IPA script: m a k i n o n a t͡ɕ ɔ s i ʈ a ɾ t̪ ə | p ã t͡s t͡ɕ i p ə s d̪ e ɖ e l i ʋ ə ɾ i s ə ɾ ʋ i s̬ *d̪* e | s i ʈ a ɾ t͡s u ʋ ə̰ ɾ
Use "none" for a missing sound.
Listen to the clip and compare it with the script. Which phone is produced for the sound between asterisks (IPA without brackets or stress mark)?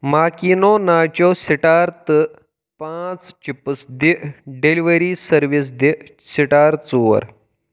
d̪